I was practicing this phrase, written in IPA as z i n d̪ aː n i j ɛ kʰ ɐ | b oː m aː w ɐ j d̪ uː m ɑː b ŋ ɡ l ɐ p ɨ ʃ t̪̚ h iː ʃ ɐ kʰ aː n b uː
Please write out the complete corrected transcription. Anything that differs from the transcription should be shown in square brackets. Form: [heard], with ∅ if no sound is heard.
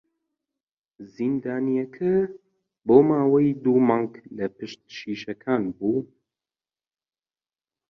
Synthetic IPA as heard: z i n d̪ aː n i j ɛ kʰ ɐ | b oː m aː w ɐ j d̪ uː m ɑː [∅] ŋ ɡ l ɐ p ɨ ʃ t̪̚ [ʃ] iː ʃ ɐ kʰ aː n b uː

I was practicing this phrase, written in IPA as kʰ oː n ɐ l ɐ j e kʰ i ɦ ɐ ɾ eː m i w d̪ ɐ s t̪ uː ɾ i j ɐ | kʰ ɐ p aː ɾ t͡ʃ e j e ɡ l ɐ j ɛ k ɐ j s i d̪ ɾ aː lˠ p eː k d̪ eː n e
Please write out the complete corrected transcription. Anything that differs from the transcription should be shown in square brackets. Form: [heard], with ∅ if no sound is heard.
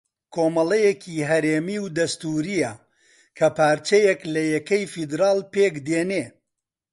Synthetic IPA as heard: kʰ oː [m] ɐ l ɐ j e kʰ i ɦ ɐ ɾ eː m i w d̪ ɐ s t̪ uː ɾ i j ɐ | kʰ ɐ p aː ɾ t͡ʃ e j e [k] l ɐ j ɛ k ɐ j [f] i d̪ ɾ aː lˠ p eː k d̪ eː n e

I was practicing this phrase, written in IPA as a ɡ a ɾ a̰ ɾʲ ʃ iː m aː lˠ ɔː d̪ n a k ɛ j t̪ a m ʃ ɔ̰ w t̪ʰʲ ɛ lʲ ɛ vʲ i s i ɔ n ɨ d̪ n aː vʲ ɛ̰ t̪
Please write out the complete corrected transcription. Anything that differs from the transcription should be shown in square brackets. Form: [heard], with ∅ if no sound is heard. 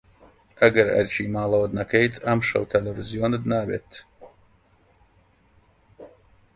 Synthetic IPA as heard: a ɡ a ɾ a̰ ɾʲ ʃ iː m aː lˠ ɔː d̪ n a k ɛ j t̪ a m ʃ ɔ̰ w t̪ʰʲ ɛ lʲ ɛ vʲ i [z] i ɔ n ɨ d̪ n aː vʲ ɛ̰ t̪

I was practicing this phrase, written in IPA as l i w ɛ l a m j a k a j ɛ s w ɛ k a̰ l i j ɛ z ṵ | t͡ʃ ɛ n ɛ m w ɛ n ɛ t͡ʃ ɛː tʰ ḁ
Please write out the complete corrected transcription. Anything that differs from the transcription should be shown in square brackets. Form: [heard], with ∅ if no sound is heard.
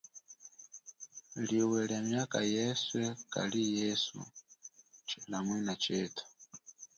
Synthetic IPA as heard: l i w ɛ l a m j a k a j ɛ s w ɛ k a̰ l i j ɛ [s] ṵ | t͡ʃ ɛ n [a] m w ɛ n [a] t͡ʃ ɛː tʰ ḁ

